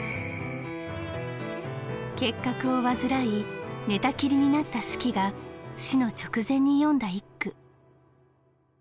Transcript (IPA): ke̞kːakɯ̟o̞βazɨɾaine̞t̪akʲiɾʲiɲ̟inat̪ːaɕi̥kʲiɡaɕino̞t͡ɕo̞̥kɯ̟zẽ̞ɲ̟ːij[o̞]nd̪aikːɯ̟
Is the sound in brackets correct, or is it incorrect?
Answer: incorrect